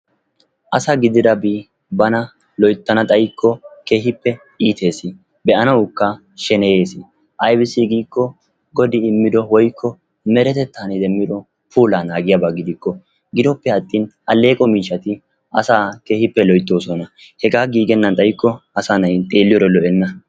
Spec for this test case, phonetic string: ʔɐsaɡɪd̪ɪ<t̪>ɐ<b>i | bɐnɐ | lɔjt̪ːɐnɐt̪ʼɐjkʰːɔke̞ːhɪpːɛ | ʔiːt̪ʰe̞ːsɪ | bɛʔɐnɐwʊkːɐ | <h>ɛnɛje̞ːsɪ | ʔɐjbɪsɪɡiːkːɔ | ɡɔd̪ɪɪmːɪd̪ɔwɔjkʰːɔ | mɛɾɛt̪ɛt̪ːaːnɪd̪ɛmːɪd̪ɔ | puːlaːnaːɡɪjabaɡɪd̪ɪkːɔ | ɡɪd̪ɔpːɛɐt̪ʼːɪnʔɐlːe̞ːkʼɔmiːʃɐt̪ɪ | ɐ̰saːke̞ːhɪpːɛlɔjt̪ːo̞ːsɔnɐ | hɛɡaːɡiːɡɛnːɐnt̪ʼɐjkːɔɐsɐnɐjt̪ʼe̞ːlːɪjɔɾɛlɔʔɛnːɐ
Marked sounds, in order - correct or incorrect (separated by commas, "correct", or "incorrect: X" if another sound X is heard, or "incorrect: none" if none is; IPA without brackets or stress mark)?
incorrect: d̪, correct, incorrect: ʃ